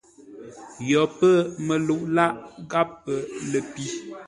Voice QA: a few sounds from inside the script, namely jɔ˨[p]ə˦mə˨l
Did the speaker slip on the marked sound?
no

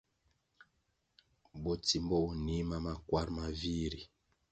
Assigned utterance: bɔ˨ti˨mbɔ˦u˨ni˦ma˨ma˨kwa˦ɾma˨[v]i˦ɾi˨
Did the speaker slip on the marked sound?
no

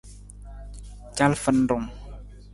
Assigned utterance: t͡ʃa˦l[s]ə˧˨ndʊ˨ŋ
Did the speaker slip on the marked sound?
yes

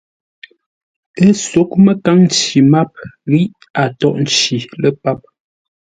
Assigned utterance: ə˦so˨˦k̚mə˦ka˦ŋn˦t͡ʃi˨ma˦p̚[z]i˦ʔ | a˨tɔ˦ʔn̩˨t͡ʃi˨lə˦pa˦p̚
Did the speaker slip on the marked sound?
yes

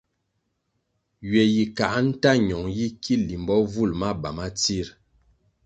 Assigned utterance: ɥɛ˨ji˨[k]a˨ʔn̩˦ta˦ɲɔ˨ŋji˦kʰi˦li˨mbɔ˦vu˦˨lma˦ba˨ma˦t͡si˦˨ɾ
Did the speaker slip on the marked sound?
no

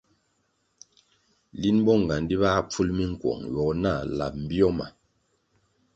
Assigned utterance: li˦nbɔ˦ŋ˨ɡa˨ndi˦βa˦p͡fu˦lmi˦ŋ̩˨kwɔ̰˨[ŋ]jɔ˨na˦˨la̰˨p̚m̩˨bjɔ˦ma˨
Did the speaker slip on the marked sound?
no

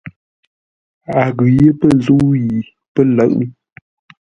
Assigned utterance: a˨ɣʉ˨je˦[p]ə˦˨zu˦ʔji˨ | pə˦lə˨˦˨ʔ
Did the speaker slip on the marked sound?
no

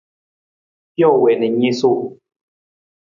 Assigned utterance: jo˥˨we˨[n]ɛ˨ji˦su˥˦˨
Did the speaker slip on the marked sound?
no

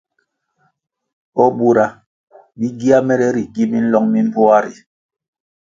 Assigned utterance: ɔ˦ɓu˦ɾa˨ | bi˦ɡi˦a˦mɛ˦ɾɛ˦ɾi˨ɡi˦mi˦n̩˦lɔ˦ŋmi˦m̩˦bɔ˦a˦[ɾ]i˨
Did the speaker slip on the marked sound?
no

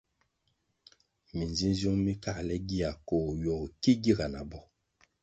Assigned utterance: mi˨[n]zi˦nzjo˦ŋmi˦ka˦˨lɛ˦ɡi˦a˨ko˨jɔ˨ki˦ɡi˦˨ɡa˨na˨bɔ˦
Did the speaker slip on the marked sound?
no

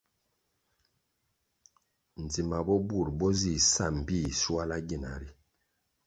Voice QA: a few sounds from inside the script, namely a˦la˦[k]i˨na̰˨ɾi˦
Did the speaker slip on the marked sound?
yes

